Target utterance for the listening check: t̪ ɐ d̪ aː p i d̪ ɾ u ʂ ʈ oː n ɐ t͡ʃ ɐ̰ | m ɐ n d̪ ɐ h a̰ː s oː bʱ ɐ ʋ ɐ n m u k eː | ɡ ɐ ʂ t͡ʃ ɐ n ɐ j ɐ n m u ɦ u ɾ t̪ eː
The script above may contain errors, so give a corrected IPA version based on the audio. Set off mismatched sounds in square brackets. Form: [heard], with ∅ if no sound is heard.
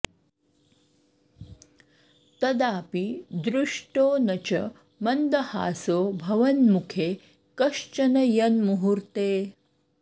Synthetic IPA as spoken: t̪ ɐ d̪ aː p i d̪ ɾ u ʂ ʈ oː n ɐ t͡ʃ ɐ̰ | m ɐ n d̪ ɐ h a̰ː s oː bʱ ɐ ʋ ɐ n m u [kʰ] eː | [k] ɐ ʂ t͡ʃ ɐ n ɐ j ɐ n m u ɦ u ɾ t̪ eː